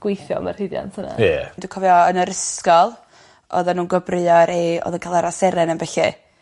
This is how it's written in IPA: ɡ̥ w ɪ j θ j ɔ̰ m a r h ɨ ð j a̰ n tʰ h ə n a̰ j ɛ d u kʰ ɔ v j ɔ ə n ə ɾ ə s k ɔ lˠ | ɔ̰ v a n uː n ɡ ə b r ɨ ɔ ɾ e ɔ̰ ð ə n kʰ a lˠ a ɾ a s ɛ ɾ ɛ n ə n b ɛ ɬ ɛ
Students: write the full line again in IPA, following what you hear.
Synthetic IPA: ɡ̥ w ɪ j θ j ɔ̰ m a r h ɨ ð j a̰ n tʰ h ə n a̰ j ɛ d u kʰ ɔ v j ɔ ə n ə ɾ ə s k ɔ lˠ | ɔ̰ ð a n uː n ɡ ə b r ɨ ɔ ɾ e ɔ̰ ð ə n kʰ a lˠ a ɾ a s ɛ ɾ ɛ n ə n b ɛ ɬ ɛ